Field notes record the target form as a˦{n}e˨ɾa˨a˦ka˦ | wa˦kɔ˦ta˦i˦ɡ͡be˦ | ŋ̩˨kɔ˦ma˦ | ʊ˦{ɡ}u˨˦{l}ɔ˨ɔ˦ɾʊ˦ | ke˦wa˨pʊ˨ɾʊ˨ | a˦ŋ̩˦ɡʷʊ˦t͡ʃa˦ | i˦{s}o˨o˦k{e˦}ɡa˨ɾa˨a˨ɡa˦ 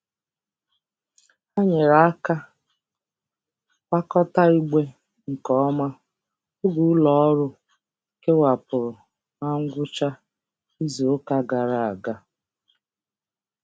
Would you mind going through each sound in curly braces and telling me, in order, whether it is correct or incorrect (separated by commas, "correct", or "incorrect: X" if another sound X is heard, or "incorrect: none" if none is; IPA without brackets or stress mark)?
incorrect: ɲ, correct, correct, incorrect: z, incorrect: a˦